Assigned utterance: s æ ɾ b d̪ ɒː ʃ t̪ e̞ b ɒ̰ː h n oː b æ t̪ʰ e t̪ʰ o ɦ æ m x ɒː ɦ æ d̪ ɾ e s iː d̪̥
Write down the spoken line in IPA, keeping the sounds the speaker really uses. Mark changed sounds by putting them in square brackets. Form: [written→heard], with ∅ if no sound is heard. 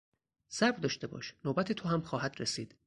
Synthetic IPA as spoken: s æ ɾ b d̪ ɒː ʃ t̪ e̞ b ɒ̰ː [h→ʃ] n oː b æ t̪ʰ e t̪ʰ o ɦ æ m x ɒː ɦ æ d̪ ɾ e s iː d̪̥